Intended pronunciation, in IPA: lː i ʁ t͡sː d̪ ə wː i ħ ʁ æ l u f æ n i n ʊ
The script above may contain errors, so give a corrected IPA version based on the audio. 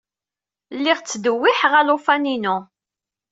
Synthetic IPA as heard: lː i ʁ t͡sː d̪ ə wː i ħ ʁ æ l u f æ n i n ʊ